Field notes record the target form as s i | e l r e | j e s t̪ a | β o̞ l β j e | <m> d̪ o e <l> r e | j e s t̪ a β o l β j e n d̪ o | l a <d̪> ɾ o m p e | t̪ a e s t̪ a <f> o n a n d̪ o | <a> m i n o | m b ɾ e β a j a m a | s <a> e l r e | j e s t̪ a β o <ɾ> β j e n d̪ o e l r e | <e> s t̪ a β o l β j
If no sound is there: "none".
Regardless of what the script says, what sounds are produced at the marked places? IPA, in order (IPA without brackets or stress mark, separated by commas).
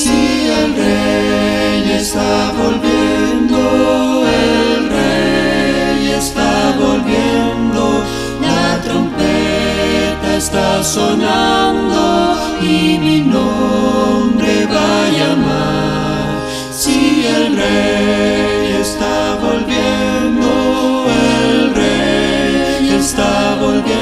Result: n, l, t̪, s, i, i, l, e